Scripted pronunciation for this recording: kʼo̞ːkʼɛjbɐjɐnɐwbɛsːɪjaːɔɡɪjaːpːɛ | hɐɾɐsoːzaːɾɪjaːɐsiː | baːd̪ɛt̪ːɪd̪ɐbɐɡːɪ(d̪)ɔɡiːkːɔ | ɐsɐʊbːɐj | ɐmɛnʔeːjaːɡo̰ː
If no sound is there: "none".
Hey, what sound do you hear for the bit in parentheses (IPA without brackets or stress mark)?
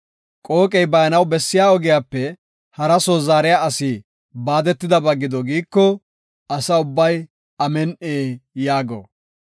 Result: d̪